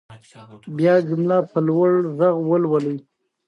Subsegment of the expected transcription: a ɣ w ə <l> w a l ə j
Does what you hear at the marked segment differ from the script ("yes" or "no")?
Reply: no